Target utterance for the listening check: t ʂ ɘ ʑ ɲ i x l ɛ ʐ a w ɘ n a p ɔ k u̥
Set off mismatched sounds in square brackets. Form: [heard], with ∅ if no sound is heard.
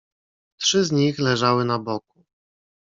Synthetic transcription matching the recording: t ʂ ɘ [z] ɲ i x l ɛ ʐ a w ɘ n a [b] ɔ k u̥